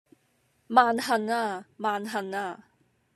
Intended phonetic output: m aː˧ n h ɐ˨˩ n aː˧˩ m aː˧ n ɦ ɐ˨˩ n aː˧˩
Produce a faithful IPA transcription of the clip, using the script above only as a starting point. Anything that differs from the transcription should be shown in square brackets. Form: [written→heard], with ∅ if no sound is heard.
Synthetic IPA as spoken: m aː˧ n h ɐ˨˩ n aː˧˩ m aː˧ n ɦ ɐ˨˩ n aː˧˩